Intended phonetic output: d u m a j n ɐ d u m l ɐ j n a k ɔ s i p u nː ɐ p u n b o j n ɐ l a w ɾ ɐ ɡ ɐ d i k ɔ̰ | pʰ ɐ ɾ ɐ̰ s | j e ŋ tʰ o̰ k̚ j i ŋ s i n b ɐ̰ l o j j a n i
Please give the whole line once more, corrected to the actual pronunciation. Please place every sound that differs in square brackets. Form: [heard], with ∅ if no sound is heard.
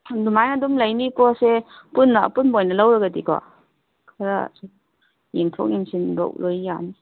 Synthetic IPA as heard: d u m a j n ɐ d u m l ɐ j n [i] k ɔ s [e] p u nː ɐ p u n b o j n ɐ l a w ɾ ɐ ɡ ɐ d i k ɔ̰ | [kʰ] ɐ ɾ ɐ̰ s | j e ŋ tʰ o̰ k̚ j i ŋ s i n b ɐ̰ l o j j a n i